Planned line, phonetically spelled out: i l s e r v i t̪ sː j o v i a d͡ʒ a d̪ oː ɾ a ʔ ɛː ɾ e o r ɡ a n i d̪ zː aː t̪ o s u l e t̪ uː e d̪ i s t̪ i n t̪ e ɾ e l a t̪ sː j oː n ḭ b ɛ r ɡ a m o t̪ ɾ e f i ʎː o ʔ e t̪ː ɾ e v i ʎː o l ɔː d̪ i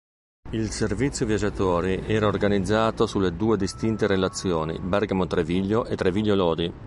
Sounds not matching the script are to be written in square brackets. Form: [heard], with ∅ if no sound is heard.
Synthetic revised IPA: i l s e r v i t̪ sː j o v [j] a d͡ʒ a [t̪] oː ɾ [i] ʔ ɛː ɾ [a] o r ɡ a n i d̪ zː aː t̪ o s u l e [d̪] uː e d̪ i s t̪ i n t̪ e ɾ e l a t̪ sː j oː n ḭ b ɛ r ɡ a m o t̪ ɾ e [v] i ʎː o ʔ e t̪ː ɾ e v i ʎː o l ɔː d̪ i